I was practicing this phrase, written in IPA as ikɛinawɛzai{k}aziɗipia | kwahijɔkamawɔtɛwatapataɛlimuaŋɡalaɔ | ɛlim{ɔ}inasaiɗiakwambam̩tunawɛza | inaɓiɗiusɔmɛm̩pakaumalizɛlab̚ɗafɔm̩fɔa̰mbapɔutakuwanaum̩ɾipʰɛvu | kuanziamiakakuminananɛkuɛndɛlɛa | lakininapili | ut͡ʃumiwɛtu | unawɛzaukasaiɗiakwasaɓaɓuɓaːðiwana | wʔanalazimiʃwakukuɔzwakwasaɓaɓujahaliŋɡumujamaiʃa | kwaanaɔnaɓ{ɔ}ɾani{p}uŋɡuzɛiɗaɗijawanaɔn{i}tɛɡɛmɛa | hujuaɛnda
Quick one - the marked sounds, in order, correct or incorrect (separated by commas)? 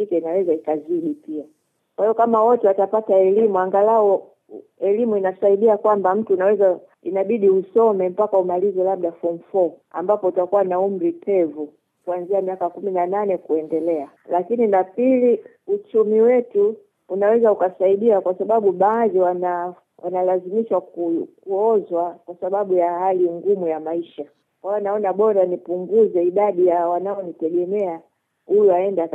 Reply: correct, incorrect, correct, correct, correct